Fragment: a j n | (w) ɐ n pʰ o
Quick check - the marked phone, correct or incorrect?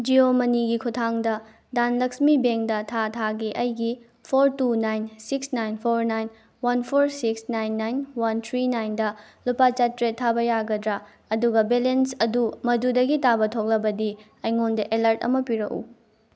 correct